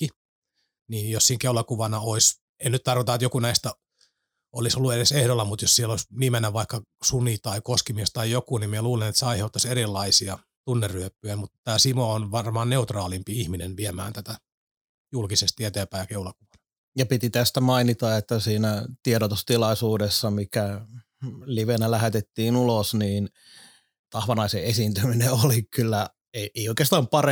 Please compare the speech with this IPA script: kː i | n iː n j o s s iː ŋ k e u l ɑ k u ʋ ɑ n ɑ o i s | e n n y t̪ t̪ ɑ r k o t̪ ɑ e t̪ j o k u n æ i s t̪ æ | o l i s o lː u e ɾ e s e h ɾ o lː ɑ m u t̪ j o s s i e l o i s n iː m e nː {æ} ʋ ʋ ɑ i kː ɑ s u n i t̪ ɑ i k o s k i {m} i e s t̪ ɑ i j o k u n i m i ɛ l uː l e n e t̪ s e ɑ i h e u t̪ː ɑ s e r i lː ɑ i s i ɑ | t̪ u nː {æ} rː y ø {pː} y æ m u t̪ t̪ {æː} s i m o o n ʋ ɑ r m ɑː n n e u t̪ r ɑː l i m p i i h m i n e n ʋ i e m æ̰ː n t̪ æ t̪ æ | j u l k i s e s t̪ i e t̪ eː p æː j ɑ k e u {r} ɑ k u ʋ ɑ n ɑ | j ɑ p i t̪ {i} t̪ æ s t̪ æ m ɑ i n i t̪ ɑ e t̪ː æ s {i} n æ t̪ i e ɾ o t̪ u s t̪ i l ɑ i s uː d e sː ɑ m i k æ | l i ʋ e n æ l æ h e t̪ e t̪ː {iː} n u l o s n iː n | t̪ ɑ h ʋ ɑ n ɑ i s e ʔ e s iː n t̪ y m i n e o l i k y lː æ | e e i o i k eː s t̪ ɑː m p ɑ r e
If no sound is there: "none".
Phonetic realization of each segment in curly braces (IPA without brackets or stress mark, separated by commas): æ, m, e, pː, æː, l, i, iː, iː